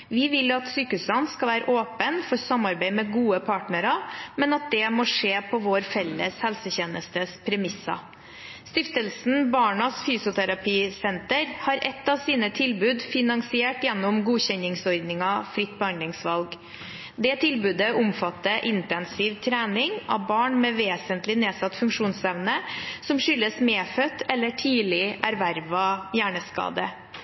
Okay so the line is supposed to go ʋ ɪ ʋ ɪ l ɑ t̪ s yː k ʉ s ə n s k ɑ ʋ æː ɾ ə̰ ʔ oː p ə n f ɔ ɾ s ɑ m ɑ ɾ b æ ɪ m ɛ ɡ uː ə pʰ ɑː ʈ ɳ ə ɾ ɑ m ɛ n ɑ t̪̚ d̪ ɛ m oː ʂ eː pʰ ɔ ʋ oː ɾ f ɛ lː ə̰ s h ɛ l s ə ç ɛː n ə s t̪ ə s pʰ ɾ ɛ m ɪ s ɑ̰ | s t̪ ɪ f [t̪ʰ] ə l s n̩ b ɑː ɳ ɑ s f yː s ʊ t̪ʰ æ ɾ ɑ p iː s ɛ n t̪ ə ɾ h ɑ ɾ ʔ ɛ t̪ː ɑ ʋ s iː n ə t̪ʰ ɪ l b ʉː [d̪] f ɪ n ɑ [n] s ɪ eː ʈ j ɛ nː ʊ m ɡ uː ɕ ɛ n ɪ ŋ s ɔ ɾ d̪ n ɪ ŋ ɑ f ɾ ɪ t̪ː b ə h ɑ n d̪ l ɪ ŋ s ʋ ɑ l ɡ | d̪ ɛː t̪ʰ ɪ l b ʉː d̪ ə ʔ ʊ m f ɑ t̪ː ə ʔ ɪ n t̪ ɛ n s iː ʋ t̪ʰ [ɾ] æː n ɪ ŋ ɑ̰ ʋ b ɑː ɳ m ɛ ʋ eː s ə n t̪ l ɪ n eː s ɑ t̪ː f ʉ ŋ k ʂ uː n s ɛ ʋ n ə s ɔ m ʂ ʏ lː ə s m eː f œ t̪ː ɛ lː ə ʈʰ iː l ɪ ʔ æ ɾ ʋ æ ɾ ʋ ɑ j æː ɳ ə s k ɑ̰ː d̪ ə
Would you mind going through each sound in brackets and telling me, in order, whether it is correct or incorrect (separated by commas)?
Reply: incorrect, correct, incorrect, correct